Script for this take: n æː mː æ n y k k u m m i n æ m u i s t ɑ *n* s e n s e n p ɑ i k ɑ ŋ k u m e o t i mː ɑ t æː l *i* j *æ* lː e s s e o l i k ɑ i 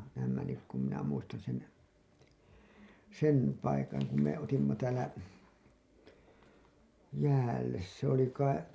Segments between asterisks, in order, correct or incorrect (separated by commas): correct, incorrect, incorrect